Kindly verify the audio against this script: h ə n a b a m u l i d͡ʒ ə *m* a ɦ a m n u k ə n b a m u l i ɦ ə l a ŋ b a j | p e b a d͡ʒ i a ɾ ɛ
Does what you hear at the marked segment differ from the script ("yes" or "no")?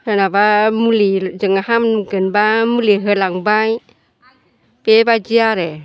yes